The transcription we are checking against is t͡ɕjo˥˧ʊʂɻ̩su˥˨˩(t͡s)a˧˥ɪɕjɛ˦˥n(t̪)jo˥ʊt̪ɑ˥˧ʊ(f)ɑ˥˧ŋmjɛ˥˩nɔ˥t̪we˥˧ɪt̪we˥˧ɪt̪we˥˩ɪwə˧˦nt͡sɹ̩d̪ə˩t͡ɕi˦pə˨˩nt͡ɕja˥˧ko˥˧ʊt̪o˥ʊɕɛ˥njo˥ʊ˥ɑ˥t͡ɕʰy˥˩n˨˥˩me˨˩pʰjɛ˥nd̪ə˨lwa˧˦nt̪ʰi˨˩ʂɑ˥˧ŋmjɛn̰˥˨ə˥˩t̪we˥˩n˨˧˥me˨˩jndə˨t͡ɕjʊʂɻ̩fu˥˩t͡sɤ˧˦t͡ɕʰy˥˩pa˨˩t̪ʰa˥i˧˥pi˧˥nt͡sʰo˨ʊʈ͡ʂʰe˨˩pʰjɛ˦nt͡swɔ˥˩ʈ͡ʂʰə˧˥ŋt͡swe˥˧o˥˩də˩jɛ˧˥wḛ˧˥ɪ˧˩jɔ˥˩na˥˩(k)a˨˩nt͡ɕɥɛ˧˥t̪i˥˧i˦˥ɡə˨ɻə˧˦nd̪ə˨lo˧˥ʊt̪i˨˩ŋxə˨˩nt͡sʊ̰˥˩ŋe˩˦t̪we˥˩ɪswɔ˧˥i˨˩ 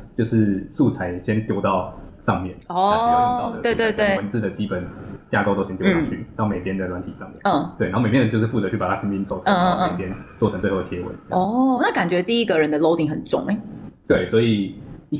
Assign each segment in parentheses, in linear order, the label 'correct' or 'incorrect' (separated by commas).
incorrect, correct, incorrect, correct